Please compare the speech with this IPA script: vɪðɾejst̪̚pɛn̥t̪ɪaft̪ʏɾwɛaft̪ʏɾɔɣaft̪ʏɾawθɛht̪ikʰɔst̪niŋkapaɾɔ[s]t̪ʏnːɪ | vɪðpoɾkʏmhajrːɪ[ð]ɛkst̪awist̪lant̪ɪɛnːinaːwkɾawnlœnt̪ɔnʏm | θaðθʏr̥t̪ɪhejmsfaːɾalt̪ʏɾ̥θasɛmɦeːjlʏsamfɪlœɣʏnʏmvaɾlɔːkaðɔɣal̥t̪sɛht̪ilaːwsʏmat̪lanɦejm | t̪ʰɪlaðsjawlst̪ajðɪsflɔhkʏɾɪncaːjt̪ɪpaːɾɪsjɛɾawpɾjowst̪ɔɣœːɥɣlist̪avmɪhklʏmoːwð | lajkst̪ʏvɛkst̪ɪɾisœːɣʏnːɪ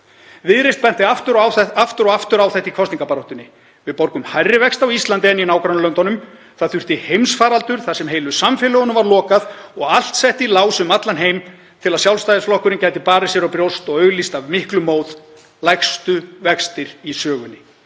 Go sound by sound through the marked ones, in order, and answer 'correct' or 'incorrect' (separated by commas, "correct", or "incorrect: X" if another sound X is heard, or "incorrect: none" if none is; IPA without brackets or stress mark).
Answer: incorrect: h, incorrect: v